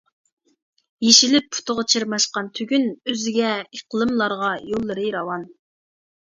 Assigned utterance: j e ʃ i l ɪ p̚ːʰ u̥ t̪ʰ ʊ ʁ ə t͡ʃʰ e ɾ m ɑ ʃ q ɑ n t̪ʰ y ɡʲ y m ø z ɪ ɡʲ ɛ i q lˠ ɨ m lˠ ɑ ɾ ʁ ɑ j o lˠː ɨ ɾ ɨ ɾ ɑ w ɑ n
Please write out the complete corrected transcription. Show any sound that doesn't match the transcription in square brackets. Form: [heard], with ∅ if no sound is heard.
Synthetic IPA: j e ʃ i l ɪ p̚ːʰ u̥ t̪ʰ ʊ ʁ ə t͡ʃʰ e ɾ m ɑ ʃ q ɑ n t̪ʰ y ɡʲ y [n] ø z ɪ ɡʲ ɛ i q lˠ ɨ m lˠ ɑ ɾ ʁ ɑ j o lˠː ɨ ɾ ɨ ɾ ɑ w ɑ n